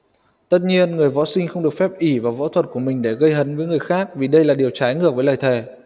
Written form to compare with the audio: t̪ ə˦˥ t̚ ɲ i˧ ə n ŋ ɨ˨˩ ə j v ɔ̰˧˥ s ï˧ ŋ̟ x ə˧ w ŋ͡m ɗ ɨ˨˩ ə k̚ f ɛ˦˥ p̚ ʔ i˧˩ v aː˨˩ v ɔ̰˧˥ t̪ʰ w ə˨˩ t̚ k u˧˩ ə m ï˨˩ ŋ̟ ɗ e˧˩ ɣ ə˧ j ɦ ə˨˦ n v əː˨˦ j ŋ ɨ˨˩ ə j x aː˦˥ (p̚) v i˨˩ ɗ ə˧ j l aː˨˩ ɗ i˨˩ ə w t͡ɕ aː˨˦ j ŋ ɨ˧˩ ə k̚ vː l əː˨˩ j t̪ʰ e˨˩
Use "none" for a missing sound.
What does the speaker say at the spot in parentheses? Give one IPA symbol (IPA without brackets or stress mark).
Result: k̚